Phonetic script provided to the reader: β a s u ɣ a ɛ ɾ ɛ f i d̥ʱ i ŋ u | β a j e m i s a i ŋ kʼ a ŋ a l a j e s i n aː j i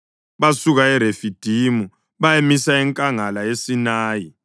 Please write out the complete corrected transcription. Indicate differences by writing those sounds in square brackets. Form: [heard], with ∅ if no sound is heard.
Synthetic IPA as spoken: β a s u ɣ a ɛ ɾ [e] f i d̥ʱ i [m] u | β a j e m i s a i ŋ kʼ a ŋ a l a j e s i n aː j i